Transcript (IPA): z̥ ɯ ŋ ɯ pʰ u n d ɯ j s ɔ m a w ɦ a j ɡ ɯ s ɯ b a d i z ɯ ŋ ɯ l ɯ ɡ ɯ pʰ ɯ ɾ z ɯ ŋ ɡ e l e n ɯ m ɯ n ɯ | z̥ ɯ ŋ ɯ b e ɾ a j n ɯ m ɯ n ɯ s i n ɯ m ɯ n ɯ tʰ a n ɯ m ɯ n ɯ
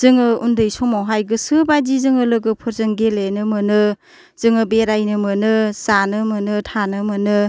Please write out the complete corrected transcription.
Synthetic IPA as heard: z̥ ɯ ŋ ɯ u n d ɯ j s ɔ m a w ɦ a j ɡ ɯ s ɯ b a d i z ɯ ŋ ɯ l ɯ ɡ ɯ pʰ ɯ ɾ z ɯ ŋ ɡ e l e n ɯ m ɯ n ɯ | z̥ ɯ ŋ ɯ b e ɾ a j n ɯ m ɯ n ɯ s a n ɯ m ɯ n ɯ tʰ a n ɯ m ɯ n ɯ

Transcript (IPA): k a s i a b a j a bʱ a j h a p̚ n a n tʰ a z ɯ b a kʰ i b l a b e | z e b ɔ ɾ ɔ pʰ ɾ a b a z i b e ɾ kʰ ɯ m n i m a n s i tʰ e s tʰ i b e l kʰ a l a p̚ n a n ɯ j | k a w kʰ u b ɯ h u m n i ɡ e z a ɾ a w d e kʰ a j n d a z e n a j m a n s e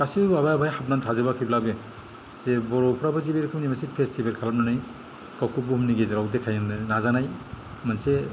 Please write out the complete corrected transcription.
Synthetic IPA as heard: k a s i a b a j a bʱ a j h a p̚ n a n tʰ a z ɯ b a kʰ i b l a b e | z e b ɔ ɾ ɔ pʰ ɾ a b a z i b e ɾ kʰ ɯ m n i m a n s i pʰ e s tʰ i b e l kʰ a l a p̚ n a n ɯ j | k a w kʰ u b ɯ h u m n i ɡ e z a ɾ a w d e kʰ a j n n a z a n a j m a n s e

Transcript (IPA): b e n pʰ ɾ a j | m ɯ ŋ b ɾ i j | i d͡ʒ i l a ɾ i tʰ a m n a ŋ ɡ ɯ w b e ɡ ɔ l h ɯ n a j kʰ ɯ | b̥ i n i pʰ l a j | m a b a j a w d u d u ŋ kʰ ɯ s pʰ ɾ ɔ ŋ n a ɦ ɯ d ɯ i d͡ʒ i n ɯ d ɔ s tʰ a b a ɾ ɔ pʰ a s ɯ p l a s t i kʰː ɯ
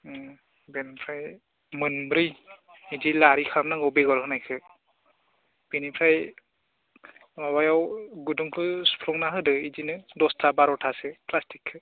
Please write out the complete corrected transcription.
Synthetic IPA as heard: b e n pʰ ɾ a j | m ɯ n b ɾ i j | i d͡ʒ i l a ɾ i kʰ a m n a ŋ ɡ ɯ w b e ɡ ɔ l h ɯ n a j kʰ ɯ | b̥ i n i pʰ ɾ a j | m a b a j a w ɡ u d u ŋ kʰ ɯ s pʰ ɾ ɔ ŋ n a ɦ ɯ d ɯ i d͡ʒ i n ɯ d ɔ s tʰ a b a ɾ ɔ tʰ a s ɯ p l a s t i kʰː ɯ

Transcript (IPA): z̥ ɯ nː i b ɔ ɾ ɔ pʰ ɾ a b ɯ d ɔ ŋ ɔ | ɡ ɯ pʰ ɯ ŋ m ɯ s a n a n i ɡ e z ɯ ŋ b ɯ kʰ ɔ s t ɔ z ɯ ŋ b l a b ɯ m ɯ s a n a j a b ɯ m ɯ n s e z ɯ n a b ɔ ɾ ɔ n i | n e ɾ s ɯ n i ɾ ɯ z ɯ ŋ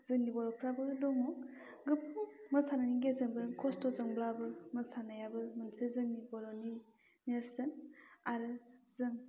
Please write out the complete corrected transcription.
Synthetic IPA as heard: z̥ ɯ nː i b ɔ ɾ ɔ pʰ ɾ a b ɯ d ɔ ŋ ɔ | ɡ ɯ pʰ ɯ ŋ m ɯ s a n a n i ɡ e z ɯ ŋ b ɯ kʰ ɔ s t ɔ z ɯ ŋ b l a b ɯ m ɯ s a n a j a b ɯ m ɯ n s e z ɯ n i b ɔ ɾ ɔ n i | n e ɾ s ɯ n a ɾ ɯ z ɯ ŋ

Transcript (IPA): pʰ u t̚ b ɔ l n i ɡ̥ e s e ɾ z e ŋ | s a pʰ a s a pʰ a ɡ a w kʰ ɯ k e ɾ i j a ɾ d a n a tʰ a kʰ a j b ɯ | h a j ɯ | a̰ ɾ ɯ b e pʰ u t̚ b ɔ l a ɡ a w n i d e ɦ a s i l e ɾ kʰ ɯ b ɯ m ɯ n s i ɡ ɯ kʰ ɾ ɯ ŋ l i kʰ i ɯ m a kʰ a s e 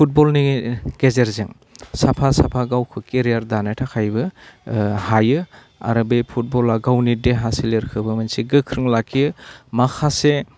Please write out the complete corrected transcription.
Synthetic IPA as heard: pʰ u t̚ b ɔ l n i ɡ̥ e z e ɾ z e ŋ | s a pʰ a s a pʰ a ɡ a w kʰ ɯ k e ɾ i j a ɾ d a n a tʰ a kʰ a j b ɯ | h a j ɯ | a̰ ɾ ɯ b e pʰ u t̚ b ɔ l a ɡ a w n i d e ɦ a s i l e ɾ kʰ ɯ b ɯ m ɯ n s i ɡ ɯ kʰ ɾ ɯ ŋ l a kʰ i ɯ m a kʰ a s e

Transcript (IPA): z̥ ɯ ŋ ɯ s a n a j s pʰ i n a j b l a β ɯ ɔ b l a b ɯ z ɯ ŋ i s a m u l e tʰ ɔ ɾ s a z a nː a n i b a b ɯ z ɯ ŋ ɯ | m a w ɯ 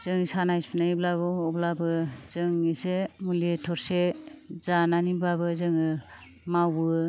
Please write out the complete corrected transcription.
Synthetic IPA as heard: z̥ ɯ ŋ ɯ s a n a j s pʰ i n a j b l a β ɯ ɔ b l a b ɯ z ɯ ŋ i s e m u l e tʰ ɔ ɾ s e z a n a n i b a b ɯ z ɯ ŋ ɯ | m a w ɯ

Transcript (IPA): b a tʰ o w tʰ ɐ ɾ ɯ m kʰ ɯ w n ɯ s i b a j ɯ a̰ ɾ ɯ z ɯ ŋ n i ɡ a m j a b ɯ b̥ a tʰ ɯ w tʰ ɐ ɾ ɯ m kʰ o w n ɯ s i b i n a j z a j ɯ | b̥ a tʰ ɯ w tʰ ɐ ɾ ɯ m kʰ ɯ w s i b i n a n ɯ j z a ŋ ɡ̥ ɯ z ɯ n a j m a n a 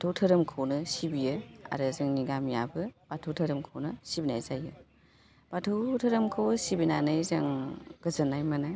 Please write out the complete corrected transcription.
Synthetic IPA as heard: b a tʰ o w tʰ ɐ ɾ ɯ m kʰ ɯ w n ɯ s i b i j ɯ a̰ ɾ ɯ z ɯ ŋ n i ɡ a m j a b ɯ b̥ a tʰ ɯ w tʰ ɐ ɾ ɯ m kʰ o w n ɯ s i b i n a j z a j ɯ | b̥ a tʰ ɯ w tʰ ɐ ɾ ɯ m kʰ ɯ w s i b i n a n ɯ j z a ŋ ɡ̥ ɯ z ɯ n a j m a n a

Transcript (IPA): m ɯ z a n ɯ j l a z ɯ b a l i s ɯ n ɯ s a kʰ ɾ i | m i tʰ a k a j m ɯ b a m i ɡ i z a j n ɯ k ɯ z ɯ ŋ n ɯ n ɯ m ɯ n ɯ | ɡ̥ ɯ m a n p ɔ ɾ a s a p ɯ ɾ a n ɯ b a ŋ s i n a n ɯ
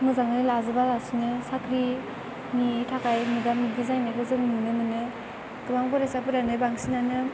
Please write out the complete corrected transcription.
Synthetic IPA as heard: m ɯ z a ŋ ɯ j l a z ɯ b a l a s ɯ n ɯ s a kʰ ɾ i | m i tʰ a k a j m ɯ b a m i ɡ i z a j n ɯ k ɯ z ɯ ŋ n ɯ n ɯ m ɯ n ɯ | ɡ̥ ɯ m a ŋ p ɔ ɾ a s a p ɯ ɾ a n ɯ b a ŋ s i n a n ɯ

